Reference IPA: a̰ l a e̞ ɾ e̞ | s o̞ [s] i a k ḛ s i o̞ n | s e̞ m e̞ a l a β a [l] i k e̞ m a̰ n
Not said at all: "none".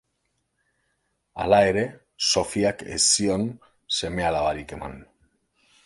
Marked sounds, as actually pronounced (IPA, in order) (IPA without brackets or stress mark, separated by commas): f, ɾ